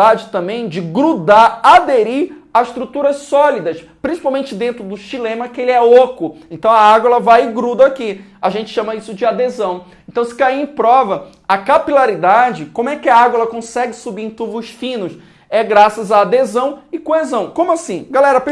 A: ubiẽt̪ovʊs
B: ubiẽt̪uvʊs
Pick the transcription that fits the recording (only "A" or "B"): B